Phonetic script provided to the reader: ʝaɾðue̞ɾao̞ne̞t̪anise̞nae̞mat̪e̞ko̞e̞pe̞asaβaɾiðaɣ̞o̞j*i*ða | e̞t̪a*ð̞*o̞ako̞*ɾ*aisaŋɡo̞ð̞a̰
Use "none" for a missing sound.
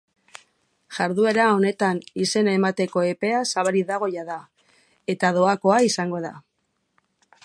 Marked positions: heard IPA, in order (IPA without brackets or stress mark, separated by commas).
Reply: a, ð̞, none